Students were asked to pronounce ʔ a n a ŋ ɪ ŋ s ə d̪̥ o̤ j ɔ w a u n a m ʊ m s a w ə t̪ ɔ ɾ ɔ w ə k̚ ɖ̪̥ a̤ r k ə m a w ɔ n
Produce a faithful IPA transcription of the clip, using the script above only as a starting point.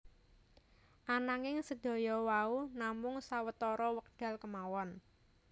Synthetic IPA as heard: ʔ a n a ŋ ɪ ŋ s ə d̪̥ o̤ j ɔ w a u n a m ʊ ŋ s a w ə t̪ ɔ ɾ ɔ w ə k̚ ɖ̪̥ a̤ l k ə m a w ɔ n